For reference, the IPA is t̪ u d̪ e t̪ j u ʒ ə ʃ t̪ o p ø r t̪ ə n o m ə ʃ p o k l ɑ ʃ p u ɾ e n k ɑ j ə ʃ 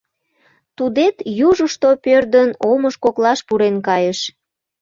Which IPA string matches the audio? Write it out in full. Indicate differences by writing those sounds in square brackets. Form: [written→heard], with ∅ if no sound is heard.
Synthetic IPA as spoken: t̪ u d̪ e t̪ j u ʒ ə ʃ t̪ o p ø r [t̪→d̪] ə n o m ə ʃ [p→k] o k l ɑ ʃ p u ɾ e n k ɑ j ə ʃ